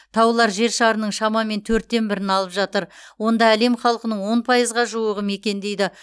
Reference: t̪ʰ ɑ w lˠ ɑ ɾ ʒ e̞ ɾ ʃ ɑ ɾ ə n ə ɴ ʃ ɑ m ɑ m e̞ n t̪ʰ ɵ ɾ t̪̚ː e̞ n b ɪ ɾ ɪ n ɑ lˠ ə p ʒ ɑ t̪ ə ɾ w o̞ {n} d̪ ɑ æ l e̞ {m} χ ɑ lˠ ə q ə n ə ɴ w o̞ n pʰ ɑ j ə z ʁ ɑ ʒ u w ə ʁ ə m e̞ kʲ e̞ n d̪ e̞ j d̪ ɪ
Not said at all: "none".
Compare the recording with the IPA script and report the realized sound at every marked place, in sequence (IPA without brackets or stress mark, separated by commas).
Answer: n, m